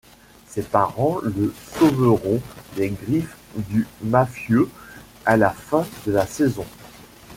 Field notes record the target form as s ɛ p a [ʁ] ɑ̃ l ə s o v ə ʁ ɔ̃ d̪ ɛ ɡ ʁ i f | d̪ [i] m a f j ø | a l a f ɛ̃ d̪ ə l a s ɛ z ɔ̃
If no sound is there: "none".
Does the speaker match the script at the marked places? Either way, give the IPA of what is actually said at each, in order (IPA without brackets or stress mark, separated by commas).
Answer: ʁ, y